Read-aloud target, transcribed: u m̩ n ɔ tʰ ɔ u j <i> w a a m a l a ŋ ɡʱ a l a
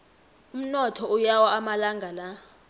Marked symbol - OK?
no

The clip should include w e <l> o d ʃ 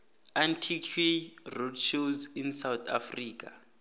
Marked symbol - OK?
no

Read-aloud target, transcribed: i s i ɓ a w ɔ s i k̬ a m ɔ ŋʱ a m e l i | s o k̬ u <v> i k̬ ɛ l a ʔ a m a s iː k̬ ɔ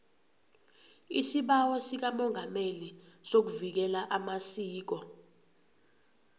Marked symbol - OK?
yes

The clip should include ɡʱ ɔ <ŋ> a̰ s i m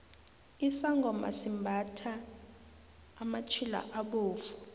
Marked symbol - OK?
no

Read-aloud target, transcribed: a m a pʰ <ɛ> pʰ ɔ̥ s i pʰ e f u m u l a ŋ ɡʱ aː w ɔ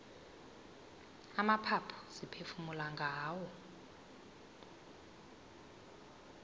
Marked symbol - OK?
no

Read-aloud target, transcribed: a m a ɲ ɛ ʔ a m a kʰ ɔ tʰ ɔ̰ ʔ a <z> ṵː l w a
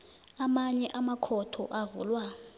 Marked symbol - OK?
no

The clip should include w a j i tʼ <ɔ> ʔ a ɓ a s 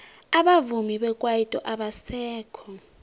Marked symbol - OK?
yes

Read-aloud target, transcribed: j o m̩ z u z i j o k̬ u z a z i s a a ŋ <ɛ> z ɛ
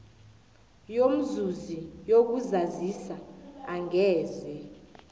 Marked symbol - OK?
no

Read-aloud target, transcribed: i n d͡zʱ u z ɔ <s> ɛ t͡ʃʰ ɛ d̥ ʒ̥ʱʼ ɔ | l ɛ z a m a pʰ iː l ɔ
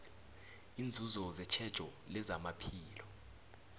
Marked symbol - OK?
no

